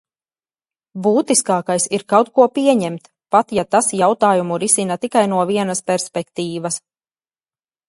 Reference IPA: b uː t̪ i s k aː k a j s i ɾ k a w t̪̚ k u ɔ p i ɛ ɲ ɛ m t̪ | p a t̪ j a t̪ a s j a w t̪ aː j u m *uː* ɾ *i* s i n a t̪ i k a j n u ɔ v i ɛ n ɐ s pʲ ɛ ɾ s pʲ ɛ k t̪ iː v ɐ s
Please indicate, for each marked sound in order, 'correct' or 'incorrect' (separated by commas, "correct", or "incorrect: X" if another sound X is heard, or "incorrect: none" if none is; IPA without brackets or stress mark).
incorrect: u, correct